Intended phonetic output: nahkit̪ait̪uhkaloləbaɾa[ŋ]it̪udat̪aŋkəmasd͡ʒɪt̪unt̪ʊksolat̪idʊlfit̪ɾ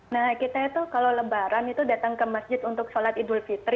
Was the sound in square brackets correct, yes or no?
no